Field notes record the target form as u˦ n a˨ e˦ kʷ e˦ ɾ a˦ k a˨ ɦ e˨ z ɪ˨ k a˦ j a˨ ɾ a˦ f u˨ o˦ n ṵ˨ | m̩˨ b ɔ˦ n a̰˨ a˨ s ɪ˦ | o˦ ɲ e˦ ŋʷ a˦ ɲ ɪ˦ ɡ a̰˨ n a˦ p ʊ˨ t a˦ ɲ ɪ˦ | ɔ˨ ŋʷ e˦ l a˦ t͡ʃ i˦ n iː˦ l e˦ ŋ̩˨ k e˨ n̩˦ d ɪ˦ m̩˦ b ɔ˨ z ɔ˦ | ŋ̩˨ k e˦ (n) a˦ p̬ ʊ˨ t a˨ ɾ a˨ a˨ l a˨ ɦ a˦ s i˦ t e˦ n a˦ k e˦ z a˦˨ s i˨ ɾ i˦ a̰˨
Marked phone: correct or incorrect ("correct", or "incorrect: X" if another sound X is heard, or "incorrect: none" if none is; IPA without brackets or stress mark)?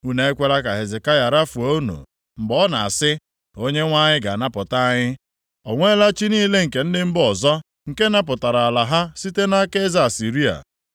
correct